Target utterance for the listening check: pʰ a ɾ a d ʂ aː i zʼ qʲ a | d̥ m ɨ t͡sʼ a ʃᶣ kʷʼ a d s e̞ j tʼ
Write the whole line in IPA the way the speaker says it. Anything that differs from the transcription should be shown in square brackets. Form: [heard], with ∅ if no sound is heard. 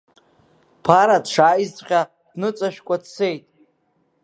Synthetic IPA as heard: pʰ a ɾ a d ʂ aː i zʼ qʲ a | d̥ [n] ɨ t͡sʼ a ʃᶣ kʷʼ a d s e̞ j tʼ